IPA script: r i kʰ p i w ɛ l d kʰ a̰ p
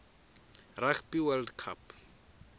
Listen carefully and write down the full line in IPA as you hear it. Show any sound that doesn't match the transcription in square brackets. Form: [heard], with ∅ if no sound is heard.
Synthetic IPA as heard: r [a] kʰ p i w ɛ l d kʰ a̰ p